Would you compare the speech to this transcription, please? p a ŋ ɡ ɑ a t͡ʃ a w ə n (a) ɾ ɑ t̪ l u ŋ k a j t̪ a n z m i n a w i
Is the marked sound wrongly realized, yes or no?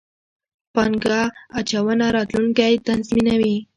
no